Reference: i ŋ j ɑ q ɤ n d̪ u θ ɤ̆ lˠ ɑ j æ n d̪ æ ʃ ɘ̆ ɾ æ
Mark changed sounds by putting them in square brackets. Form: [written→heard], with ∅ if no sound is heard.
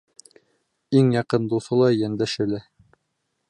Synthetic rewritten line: i ŋ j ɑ q ɤ n d̪ u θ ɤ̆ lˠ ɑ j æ n d̪ æ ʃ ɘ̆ [ɾ→l] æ